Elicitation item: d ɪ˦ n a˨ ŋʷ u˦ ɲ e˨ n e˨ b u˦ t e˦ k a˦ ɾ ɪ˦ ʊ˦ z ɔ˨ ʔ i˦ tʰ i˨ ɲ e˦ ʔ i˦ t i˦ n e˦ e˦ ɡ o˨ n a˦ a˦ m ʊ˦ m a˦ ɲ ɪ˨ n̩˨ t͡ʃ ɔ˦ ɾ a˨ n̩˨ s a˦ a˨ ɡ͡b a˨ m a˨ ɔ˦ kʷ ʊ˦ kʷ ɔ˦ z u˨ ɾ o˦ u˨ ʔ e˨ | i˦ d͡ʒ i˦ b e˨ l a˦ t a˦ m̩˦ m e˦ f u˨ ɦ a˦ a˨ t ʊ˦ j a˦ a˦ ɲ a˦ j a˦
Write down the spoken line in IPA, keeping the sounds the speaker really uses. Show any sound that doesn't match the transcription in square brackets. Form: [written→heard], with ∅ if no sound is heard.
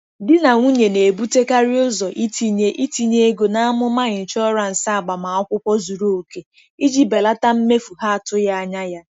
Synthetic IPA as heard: d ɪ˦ n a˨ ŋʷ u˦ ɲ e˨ n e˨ b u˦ t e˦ k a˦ ɾ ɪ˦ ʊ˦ z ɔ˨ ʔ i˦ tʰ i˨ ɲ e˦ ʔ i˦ t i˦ [n→ɲ] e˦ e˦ ɡ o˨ n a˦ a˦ m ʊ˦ m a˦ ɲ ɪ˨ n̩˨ t͡ʃ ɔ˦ ɾ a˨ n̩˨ s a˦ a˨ ɡ͡b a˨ m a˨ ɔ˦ kʷ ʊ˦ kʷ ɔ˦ z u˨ ɾ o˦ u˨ [ʔ→k] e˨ | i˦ d͡ʒ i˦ b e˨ l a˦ t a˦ m̩˦ m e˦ f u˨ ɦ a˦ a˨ t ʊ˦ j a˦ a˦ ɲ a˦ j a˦